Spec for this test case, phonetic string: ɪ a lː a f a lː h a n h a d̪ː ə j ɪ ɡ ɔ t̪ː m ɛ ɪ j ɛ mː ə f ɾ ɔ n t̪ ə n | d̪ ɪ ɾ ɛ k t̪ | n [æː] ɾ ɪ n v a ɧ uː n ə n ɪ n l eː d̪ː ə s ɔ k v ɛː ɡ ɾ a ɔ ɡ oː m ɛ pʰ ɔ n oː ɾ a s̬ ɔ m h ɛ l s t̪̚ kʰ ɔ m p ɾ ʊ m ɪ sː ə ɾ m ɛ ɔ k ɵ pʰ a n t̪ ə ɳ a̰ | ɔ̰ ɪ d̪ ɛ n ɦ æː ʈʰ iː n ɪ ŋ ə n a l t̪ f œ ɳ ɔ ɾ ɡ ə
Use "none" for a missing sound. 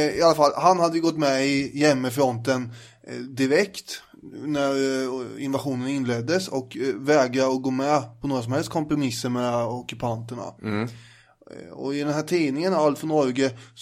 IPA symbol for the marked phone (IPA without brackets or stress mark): æ